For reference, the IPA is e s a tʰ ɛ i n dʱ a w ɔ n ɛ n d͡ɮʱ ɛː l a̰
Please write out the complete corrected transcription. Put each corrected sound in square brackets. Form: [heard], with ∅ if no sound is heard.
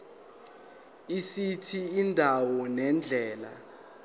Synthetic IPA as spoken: [i] s [i] tʰ [i] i n dʱ a w ɔ n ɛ n d͡ɮʱ ɛː l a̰